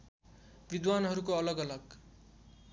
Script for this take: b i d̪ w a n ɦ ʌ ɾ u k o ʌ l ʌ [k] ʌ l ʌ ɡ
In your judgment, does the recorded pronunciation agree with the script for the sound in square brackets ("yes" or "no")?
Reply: no